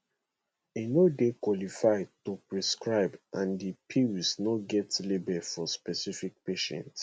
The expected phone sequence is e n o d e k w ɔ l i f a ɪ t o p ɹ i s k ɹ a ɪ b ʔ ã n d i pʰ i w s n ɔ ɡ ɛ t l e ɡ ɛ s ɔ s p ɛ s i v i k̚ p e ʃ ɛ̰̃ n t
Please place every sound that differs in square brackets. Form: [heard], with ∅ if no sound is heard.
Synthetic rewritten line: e n o d e k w ɔ l i f a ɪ t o p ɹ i s k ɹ a ɪ b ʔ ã n d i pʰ i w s n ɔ ɡ ɛ t l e [b] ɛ [f] ɔ s p ɛ s i [f] i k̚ p e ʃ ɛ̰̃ n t

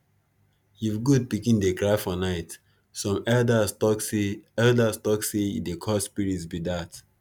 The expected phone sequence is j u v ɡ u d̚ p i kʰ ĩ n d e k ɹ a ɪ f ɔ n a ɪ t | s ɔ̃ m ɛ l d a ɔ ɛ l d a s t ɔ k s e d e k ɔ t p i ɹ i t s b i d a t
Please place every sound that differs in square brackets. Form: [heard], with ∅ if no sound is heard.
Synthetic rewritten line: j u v ɡ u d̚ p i [k] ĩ n d e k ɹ a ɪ f ɔ n a ɪ t | s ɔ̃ m ɛ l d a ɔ ɛ l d a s t ɔ k s e d e [kʰ] ɔ [s] p i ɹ i t s b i d a t

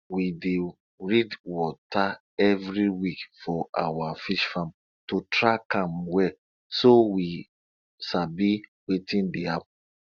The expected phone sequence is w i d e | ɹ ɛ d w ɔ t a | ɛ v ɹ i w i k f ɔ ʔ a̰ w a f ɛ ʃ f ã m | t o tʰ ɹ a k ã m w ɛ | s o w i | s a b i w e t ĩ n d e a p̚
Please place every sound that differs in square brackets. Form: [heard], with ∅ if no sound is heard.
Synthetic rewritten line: w i d e | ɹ [i] d w ɔ t a | ɛ v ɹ i w i k f ɔ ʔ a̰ w a f [i] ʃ f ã m | t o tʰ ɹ a k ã m w ɛ | s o w i | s a b i w e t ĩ n d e a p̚

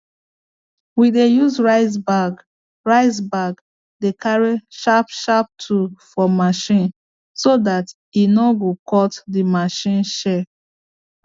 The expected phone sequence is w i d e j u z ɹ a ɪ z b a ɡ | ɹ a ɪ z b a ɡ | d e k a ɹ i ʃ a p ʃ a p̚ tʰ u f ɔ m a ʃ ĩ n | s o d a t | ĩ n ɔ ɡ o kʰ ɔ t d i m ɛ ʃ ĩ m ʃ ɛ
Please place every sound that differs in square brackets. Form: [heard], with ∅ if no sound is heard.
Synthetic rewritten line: w i d e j u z ɹ a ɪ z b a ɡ | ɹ a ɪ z b a ɡ | d e k a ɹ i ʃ a p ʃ a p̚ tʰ u f ɔ m a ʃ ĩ n | s o d a t | [i] n ɔ ɡ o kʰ ɔ t d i m [a] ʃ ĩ [n] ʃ ɛ

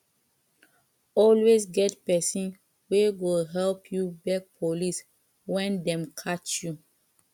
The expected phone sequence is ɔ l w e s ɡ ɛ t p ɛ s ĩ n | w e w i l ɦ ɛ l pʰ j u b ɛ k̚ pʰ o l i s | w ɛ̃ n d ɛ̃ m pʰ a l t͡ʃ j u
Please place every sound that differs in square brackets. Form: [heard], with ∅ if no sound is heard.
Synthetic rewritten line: ɔ l w e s ɡ ɛ t p ɛ s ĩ n | w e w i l ɦ ɛ l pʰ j u b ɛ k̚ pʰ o l i s | w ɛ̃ n d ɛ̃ m [kʰ] a [∅] t͡ʃ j u

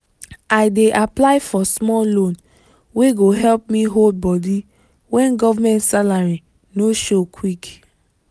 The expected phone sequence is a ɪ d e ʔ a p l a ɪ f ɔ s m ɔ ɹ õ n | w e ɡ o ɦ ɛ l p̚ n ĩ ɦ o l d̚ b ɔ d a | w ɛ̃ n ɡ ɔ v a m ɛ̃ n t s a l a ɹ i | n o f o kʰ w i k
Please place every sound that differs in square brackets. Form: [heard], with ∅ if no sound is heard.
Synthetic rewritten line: a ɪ d e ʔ a p l a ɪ f ɔ s m ɔ [l] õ n | w e ɡ o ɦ ɛ l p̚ [m] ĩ ɦ o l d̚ b ɔ d [i] | w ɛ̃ n ɡ ɔ v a m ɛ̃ n t s a l a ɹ i | n o [ʃ] o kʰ w i k

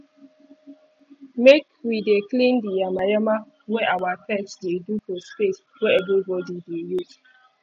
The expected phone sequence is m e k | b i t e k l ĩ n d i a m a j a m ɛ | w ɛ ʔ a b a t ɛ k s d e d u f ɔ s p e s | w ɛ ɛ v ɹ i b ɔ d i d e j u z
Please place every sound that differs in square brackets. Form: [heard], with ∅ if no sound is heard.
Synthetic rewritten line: m e k | [w] i [d] e k l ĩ n d i a m a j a m [a] | w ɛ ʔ a [w] a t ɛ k s d e d u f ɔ s p e s | w ɛ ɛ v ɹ i b ɔ d i d e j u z

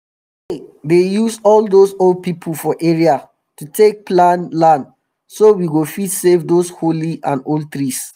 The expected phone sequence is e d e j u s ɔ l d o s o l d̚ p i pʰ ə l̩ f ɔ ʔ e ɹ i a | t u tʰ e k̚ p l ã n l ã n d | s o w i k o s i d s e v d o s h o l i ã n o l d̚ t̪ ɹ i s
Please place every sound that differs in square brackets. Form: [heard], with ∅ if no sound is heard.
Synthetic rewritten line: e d e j u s ɔ l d o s o l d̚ p i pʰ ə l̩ f ɔ ʔ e ɹ i a | t u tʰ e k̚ p l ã n l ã n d | s o w i [ɡ] o [f] i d s e v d o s h o l i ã n o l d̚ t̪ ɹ i s

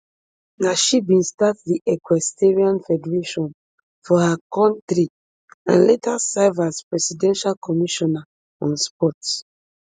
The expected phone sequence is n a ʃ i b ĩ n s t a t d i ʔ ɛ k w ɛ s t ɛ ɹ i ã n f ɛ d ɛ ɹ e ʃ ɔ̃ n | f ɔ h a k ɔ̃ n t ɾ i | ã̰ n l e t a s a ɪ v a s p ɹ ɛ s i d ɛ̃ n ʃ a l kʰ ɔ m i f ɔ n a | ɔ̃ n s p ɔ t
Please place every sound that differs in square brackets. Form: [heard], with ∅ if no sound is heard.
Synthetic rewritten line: n a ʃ i b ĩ n s t a t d i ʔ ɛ k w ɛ s t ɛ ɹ i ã n f ɛ d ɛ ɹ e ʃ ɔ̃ n | f ɔ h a k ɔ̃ n t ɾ i | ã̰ n l e t a s a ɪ v a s p ɹ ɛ s i d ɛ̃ n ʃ a l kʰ ɔ m i [ʃ] ɔ n a | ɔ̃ n s p ɔ t

